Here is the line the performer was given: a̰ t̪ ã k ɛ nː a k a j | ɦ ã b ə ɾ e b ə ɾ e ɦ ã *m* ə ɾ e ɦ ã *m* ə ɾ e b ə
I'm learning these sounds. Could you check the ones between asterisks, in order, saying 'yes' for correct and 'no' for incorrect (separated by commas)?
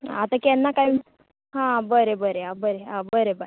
no, no